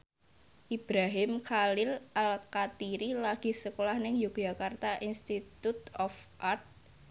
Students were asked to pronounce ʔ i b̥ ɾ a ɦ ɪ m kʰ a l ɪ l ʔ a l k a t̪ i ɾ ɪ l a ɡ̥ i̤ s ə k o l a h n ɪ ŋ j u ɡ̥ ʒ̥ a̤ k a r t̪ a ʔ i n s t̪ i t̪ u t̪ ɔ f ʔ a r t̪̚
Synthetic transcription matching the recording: ʔ i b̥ ɾ a ɦ ɪ m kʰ a l ɪ l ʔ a l k a t̪ i ɾ i l a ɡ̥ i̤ s ə k o l a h n ɪ ŋ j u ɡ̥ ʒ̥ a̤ k a r t̪ a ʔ i n s t̪ i t̪ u t̪ ɔ f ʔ a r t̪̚